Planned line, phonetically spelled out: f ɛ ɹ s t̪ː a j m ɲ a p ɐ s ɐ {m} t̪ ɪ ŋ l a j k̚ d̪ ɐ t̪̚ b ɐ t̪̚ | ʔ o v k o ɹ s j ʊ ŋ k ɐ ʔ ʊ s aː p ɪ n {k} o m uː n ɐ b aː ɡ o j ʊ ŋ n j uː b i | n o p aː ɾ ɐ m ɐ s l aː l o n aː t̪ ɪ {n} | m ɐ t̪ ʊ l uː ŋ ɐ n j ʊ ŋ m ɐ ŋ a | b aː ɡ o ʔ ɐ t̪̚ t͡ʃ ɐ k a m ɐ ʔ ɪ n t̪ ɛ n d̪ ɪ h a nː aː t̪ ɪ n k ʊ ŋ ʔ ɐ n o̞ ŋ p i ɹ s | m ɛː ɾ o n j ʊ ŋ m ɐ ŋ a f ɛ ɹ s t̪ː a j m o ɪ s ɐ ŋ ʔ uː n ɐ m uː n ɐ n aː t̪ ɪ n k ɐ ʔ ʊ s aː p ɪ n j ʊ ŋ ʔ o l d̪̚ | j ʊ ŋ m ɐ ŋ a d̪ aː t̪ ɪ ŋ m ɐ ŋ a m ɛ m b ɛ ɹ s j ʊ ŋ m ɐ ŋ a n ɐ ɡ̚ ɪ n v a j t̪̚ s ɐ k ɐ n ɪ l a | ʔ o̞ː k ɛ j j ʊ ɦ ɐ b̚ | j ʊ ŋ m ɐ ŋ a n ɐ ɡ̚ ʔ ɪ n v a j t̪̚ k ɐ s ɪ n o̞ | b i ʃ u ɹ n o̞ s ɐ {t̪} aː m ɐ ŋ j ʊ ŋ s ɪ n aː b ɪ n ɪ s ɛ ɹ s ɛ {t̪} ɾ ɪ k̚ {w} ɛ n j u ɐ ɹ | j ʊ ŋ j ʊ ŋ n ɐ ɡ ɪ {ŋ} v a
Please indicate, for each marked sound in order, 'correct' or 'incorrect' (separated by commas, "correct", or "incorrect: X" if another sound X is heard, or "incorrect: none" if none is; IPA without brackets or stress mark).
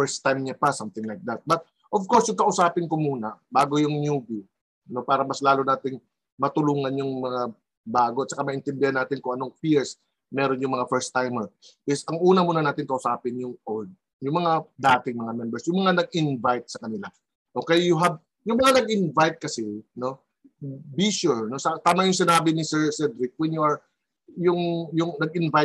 correct, correct, incorrect: ŋ, correct, incorrect: d̪, correct, incorrect: n